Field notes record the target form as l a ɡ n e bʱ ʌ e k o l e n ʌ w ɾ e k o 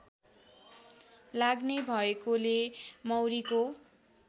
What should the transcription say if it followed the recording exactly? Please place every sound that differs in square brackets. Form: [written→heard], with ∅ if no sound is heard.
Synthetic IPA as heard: l a ɡ n e bʱ ʌ e k o l e [n→m] ʌ w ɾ [e→i] k o